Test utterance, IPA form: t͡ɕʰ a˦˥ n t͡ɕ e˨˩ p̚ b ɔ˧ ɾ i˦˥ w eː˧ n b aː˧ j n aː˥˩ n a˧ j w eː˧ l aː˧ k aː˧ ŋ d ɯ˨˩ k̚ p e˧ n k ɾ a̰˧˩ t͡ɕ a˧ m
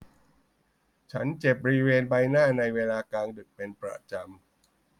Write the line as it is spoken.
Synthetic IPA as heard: t͡ɕʰ a˦˥ n t͡ɕ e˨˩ p̚ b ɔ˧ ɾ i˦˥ w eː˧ n b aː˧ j n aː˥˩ n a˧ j w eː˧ l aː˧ k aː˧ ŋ d ɯ˨˩ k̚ p e˧ n p ɾ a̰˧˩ t͡ɕ a˧ m